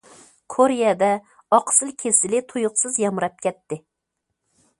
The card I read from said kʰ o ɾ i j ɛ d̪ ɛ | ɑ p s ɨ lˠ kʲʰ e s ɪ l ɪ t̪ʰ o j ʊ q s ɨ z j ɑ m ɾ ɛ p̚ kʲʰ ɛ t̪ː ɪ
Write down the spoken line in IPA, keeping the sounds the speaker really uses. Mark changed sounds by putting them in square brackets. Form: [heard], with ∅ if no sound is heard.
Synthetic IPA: kʰ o ɾ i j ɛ d̪ ɛ | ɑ [q] s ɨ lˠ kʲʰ e s ɪ l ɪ t̪ʰ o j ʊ q s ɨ z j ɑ m ɾ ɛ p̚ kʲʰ ɛ t̪ː ɪ